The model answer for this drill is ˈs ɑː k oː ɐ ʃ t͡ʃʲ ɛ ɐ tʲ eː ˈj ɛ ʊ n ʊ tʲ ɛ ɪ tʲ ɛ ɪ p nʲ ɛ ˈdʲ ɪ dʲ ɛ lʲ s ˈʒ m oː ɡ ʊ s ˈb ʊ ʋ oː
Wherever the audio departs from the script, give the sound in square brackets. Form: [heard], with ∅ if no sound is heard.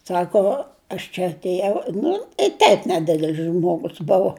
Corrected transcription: ˈs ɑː k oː ɐ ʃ t͡ʃʲ ɛ ɐ tʲ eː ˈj ɛ ʊ n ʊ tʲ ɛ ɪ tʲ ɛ ɪ p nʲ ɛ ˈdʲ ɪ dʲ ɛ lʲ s ˈʒ m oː ɡ ʊ s ˈb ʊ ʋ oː